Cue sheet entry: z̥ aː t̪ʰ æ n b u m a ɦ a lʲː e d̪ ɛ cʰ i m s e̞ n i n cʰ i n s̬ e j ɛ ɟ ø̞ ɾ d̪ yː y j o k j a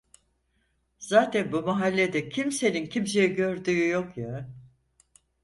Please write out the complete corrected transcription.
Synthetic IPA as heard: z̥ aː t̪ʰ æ n b u m a ɦ a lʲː e d̪ ɛ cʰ i m s e̞ n i n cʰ i m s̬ e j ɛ ɟ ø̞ ɾ d̪ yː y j o k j a